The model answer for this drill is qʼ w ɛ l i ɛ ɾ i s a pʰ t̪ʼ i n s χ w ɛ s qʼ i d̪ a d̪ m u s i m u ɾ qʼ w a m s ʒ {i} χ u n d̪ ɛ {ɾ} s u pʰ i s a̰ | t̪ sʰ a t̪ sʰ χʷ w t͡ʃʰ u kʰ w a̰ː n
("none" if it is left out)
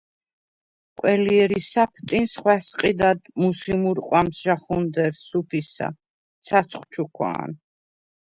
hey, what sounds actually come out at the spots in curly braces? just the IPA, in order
a, ɾ

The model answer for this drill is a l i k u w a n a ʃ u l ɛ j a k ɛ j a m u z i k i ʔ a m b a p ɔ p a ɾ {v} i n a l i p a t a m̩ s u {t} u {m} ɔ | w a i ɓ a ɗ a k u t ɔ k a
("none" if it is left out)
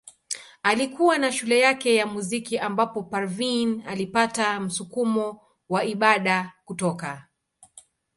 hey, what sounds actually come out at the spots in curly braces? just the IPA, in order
v, k, m

